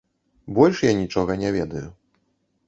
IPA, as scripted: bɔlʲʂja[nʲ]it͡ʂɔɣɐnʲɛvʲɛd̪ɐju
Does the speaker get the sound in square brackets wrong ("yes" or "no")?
no